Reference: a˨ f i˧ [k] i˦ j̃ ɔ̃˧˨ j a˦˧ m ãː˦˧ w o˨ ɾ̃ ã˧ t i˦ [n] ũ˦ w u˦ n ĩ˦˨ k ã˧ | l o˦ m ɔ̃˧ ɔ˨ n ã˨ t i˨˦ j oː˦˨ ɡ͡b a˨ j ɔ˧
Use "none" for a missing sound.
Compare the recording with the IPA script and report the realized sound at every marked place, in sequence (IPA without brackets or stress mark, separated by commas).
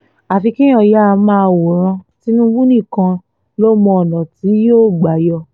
k, n